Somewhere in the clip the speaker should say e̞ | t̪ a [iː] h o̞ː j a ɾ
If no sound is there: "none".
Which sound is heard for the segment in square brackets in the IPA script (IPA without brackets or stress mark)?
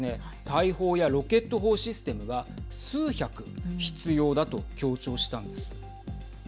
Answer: i